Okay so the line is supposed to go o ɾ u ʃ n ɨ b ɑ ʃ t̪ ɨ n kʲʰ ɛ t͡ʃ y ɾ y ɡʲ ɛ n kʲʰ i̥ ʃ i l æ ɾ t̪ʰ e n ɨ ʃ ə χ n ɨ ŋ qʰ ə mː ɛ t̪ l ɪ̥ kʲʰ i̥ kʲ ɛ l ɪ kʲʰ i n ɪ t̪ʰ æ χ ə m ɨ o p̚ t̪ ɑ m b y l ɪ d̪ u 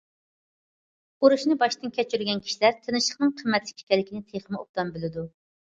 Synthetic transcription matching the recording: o ɾ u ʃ n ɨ b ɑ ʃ t̪ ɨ n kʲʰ ɛ t͡ʃ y ɾ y ɡʲ ɛ n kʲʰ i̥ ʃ i l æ ɾ t̪ʰ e n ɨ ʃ ə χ n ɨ ŋ qʰ ə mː ɛ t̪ l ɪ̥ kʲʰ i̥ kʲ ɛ l ɪ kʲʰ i n ɪ t̪ʰ e χ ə m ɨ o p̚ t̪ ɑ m b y l ɪ d̪ u